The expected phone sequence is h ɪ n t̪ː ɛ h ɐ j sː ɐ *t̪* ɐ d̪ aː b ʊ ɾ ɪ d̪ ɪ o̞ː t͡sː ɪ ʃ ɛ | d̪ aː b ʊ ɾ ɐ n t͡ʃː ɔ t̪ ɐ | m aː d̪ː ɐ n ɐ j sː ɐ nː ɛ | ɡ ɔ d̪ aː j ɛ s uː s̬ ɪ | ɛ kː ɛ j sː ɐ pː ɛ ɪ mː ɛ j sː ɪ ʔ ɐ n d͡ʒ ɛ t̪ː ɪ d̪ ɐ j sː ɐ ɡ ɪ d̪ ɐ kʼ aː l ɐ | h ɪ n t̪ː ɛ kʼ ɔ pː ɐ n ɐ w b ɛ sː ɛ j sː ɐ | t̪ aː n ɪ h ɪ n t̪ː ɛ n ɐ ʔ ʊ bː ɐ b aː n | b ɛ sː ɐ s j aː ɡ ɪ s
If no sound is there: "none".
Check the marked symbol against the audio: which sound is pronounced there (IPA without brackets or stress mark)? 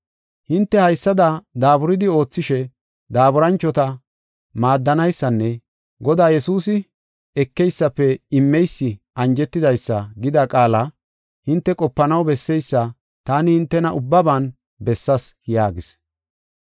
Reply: d̪